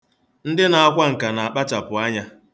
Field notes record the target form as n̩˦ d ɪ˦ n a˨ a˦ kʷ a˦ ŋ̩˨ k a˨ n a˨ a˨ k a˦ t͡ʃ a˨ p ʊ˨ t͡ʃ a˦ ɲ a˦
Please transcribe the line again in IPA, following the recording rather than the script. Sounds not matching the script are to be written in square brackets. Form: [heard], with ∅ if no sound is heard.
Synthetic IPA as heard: n̩˦ d ɪ˦ n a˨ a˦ kʷ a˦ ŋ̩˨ k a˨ n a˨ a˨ [k͡p] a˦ t͡ʃ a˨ p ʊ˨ [∅] a˦ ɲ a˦